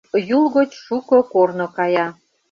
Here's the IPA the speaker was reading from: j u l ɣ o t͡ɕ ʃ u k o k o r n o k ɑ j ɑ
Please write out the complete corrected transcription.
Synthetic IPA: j u l ɣ o t͡ɕ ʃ u k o k o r n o k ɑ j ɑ